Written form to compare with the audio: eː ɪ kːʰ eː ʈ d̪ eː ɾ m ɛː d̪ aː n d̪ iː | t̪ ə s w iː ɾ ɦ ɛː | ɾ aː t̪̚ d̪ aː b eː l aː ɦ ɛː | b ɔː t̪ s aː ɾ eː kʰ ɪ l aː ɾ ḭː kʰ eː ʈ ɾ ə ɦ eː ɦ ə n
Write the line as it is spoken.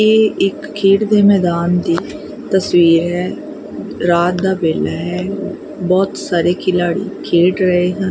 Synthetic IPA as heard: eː ɪ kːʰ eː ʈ d̪ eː m ɛː d̪ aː n d̪ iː | t̪ ə s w iː ɾ ɦ ɛː | ɾ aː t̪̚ d̪ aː b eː l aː ɦ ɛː | b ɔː t̪ s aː ɾ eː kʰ ɪ l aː ɽ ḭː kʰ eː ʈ ɾ ə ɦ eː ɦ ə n

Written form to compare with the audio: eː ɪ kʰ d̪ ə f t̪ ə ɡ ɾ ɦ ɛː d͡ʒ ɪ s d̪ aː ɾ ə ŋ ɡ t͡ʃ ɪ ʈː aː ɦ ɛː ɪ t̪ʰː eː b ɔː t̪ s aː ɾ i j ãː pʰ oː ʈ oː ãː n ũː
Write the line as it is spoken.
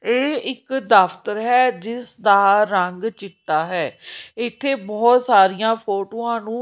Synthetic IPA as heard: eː ɪ k d̪ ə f t̪ ə ɾ ɦ ɛː d͡ʒ ɪ s d̪ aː ɾ ə ŋ ɡ t͡ʃ ɪ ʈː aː ɦ ɛː ɪ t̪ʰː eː b ɔː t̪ s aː ɾ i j ãː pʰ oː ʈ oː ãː n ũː

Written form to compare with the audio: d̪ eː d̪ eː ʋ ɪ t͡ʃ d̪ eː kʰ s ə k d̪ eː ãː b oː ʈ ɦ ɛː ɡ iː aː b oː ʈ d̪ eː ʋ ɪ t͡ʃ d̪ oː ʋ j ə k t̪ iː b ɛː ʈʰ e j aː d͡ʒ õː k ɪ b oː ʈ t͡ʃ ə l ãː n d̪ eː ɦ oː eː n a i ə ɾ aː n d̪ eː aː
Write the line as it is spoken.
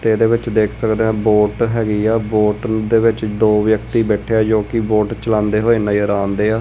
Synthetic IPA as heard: t̪ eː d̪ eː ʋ ɪ t͡ʃ d̪ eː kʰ s ə k d̪ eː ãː b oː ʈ ɦ ɛː ɡ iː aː b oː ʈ d̪ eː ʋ ɪ t͡ʃ d̪ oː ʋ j ə k t̪ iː b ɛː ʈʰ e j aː d͡ʒ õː k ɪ b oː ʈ t͡ʃ ə l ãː n d̪ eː ɦ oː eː n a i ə ɾ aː n d̪ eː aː

